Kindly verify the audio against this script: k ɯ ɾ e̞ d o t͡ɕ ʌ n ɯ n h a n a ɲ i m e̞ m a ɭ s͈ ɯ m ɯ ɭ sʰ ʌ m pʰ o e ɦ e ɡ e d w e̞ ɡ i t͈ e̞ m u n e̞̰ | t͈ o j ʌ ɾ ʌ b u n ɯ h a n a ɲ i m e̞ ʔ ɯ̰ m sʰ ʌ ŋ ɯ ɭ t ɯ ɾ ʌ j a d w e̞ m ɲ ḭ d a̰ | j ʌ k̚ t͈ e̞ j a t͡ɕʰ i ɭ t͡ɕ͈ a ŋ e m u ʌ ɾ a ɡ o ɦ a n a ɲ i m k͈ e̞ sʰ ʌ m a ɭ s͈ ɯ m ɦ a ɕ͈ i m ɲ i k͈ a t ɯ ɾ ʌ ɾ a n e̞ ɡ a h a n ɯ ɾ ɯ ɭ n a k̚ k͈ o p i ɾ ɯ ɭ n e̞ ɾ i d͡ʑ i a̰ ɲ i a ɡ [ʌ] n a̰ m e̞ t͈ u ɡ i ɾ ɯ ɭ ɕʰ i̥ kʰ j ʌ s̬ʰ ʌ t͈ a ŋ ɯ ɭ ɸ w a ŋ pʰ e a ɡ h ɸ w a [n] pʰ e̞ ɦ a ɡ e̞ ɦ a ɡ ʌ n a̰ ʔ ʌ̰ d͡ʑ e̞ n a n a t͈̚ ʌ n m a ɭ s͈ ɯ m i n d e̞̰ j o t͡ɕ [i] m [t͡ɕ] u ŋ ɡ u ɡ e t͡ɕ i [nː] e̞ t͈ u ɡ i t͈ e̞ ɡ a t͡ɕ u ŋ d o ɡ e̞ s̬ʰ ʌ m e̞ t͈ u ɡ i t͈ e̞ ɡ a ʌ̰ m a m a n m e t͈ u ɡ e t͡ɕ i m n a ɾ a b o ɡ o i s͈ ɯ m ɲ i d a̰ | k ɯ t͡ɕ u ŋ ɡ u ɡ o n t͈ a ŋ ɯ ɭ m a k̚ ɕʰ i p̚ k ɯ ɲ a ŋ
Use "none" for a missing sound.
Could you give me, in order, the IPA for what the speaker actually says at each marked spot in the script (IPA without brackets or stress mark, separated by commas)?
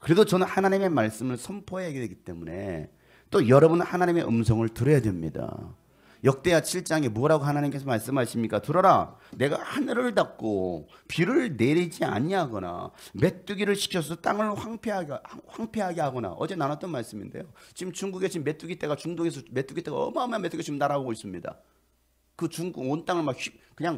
ʌ, ŋ, i, t͡ɕ, mː